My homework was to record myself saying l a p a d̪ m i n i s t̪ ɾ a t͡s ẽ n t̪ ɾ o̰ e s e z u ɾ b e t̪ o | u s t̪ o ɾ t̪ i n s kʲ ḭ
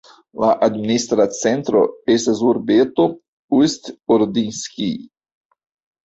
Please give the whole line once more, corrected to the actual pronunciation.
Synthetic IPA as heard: l a ʔ a d̪ m i n i s t̪ ɾ a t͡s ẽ n t̪ ɾ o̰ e s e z u ɾ b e t̪ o | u s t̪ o ɾ d̪ i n s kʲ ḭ